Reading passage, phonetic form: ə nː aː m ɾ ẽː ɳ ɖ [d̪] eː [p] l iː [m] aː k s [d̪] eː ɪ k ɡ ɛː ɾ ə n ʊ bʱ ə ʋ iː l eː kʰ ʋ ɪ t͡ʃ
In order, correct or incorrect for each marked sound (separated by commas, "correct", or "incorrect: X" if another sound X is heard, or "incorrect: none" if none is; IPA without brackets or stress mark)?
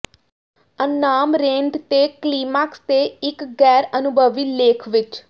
incorrect: t̪, incorrect: k, correct, incorrect: t̪